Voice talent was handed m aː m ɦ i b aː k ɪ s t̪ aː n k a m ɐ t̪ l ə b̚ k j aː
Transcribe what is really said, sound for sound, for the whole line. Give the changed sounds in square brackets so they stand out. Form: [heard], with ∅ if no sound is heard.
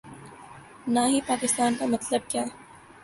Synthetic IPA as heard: [n] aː [∅] ɦ i [p] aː k ɪ s t̪ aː n k a m ɐ t̪ l ə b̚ k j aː

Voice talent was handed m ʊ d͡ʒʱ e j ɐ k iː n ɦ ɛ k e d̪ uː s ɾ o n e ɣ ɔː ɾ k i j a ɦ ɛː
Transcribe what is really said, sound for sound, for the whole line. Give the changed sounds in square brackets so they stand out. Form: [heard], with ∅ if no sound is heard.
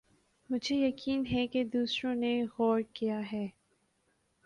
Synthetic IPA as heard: m ʊ d͡ʒʱ e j ɐ k iː n ɦ ɛ k e d̪ uː s ɾ [õ] n e ɣ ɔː ɾ k i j a ɦ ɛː

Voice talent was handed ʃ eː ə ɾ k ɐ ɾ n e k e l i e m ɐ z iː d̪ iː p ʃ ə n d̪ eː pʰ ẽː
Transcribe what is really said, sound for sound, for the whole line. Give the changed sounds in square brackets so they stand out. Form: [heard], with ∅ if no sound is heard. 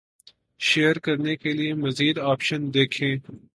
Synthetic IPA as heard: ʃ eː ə ɾ k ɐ ɾ n e k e l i e m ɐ z iː d̪ [aː] p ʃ ə n d̪ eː [kʰ] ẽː

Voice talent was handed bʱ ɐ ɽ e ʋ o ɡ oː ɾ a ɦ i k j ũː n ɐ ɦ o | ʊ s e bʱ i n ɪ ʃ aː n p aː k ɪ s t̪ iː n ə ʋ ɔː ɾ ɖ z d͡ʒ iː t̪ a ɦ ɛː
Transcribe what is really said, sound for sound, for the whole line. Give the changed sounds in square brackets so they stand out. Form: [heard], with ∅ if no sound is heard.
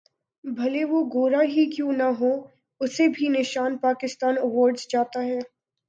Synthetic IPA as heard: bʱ ɐ [l] e ʋ o ɡ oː ɾ a ɦ i k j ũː n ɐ ɦ o | ʊ s e bʱ i n ɪ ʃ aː n p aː k ɪ s t̪ [aː] n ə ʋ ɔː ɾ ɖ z d͡ʒ [aː] t̪ a ɦ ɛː

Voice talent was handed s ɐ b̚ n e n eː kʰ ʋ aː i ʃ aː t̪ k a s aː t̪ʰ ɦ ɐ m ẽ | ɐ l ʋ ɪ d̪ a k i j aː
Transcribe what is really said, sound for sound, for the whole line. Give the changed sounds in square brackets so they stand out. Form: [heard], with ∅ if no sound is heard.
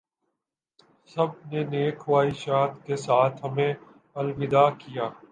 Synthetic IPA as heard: s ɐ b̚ n e n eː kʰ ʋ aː i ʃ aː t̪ k [e] s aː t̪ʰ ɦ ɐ m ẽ | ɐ l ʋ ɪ d̪ a k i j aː

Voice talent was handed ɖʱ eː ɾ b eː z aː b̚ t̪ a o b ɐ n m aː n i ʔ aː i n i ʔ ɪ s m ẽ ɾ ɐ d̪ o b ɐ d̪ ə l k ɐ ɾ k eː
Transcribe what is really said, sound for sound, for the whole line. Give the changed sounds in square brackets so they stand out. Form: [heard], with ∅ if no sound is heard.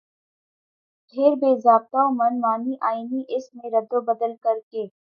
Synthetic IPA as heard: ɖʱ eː ɾ b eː z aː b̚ t̪ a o [m] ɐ n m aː n i ʔ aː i n i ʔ ɪ s m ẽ ɾ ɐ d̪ o b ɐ d̪ ə l k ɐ ɾ k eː

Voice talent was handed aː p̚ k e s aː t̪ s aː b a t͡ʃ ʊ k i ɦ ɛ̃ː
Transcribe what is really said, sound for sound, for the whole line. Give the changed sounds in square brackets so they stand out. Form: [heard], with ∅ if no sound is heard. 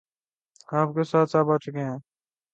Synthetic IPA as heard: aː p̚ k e s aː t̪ s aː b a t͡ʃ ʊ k [e] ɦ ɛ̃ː

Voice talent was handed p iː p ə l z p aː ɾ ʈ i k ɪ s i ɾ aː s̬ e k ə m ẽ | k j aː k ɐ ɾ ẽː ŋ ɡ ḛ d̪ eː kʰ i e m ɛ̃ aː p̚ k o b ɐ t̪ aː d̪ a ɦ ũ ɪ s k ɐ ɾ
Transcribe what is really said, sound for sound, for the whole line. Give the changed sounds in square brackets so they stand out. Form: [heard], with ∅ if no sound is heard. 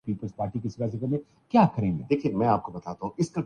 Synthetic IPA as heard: p iː p ə l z p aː ɾ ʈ i k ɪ s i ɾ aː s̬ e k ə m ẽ | k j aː k ɐ ɾ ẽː ŋ ɡ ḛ d̪ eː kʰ i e m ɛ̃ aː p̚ k o b ɐ t̪ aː [t̪] a ɦ ũ ɪ s k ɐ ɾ

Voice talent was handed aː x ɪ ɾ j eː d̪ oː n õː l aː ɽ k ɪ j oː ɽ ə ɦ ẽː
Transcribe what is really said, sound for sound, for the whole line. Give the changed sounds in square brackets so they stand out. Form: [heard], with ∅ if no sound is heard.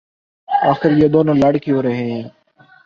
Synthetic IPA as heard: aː x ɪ ɾ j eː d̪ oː n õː l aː ɽ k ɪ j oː [ɾ] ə ɦ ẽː

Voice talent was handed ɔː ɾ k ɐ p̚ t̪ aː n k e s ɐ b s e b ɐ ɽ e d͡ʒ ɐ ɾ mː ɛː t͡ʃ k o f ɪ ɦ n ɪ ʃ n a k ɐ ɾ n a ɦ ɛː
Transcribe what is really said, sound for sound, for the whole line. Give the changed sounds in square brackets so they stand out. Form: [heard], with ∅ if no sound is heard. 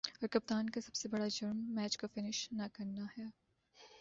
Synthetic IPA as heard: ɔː ɾ k ɐ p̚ t̪ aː n k [a] s ɐ b s e b ɐ ɽ [a] d͡ʒ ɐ ɾ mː ɛː t͡ʃ k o f ɪ [∅] n ɪ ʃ n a k ɐ ɾ n a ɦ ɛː

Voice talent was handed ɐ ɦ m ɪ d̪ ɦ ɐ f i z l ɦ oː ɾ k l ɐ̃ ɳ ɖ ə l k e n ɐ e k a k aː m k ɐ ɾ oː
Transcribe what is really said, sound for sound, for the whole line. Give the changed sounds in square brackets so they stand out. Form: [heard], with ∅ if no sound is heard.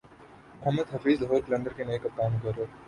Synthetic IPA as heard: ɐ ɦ m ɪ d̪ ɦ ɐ f [iː] z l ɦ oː ɾ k l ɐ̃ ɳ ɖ ə [ɾ] k e n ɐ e k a k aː m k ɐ ɾ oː

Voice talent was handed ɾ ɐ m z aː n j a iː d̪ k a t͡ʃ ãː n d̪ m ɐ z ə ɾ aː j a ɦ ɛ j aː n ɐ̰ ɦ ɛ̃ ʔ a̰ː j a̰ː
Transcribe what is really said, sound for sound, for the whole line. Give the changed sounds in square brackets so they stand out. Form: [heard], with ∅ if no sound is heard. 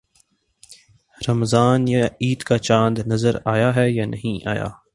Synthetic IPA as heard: ɾ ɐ m z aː n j a iː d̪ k a t͡ʃ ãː n d̪ [n] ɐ z ə ɾ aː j a ɦ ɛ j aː n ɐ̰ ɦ [ĩ] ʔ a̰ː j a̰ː

